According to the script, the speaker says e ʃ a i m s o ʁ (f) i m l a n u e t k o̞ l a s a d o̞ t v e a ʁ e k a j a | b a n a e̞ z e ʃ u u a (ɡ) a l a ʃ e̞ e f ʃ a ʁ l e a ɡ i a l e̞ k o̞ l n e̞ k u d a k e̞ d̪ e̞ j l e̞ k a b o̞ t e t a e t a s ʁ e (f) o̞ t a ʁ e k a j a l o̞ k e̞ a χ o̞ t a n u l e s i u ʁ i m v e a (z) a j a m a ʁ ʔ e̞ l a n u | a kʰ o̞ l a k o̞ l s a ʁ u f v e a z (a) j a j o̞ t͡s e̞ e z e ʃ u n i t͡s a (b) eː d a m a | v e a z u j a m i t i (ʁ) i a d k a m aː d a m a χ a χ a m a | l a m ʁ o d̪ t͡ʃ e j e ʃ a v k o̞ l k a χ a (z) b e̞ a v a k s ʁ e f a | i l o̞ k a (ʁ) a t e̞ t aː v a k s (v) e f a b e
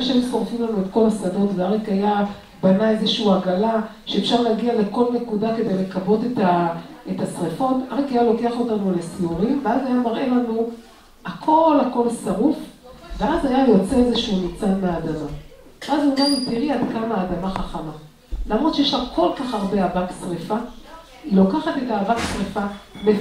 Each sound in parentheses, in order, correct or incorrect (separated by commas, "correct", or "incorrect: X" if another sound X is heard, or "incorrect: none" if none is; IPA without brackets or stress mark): correct, correct, correct, correct, correct, incorrect: m, correct, incorrect: ʁ, incorrect: χ, incorrect: ʁ